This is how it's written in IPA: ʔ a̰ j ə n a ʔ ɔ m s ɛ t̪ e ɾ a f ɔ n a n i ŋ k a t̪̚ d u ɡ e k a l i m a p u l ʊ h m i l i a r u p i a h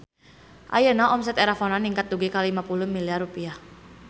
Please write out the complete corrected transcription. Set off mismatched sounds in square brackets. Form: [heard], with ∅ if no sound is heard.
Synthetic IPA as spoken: ʔ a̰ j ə n a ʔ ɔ m s ɛ t̪ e ɾ a f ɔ n a n i ŋ k a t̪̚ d u ɡ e k a l i m a p u l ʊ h m i l i a r u p i a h